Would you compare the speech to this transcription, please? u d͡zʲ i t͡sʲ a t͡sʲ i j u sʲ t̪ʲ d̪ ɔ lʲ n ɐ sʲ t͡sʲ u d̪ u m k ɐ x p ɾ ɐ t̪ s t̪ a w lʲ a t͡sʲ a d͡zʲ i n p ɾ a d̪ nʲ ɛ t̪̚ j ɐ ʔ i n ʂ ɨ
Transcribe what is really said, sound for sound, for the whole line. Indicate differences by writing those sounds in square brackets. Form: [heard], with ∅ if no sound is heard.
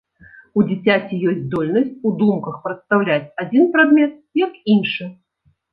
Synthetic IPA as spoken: u d͡zʲ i t͡sʲ a t͡sʲ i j [ɔ] sʲ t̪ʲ d̪ ɔ lʲ n ɐ sʲ t͡sʲ u d̪ u m k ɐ x p ɾ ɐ t̪ s t̪ a w lʲ a t͡sʲ a d͡zʲ i n p ɾ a d̪ [mʲ] ɛ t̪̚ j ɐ [k] i n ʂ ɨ